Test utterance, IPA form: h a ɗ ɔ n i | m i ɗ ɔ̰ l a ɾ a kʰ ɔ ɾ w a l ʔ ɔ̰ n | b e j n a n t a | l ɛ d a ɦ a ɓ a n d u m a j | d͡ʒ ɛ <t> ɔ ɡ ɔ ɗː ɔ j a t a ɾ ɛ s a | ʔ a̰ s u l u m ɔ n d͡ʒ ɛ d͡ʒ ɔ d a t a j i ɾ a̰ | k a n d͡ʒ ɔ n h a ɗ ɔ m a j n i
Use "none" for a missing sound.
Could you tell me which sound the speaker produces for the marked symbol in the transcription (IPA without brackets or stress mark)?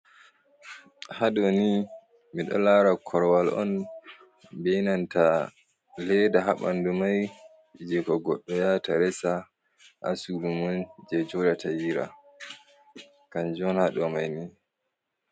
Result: k